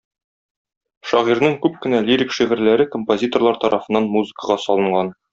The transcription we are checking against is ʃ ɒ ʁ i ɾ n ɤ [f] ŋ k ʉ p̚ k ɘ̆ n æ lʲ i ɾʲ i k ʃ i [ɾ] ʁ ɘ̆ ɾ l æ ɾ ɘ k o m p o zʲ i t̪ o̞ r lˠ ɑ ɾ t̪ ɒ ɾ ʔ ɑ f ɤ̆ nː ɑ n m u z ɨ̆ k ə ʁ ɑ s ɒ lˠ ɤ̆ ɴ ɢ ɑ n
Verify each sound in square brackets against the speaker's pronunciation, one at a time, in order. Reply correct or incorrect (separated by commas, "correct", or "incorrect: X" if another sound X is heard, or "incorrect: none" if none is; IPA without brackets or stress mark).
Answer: incorrect: none, incorrect: none